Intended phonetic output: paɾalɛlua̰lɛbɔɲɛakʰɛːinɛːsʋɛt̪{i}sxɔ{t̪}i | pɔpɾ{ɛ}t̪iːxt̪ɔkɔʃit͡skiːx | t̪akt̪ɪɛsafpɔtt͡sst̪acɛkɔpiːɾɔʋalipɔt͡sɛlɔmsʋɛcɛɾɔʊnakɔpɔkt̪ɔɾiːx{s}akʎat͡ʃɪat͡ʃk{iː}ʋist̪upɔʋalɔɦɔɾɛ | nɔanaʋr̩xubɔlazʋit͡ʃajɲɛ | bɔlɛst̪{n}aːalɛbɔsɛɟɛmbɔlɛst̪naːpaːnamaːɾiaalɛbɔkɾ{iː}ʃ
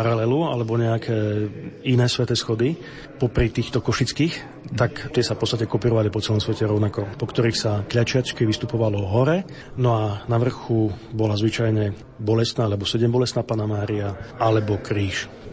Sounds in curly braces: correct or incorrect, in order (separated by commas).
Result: incorrect, incorrect, incorrect, correct, incorrect, correct, correct